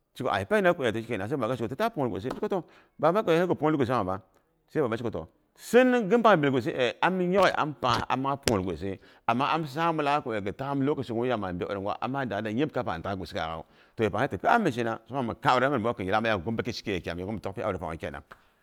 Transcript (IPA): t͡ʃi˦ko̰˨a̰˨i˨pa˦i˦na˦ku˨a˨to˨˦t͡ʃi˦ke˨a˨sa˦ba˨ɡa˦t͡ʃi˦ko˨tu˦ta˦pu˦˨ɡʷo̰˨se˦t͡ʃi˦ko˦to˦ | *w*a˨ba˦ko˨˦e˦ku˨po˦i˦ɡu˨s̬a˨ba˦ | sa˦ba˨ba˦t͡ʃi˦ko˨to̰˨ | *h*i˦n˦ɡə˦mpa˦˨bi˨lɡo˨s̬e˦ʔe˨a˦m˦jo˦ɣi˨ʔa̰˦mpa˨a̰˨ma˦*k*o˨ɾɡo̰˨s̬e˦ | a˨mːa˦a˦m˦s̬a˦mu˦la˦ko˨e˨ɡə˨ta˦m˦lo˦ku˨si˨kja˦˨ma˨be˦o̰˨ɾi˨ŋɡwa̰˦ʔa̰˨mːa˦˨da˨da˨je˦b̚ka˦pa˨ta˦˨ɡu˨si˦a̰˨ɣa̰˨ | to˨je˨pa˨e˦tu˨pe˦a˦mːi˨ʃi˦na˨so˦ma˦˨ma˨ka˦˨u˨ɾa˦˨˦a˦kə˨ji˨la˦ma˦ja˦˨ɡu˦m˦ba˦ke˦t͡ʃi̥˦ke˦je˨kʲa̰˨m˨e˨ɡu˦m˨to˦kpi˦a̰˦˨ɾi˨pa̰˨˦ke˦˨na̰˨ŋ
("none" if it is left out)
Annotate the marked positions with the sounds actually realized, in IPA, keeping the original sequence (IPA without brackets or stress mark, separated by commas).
b, s, p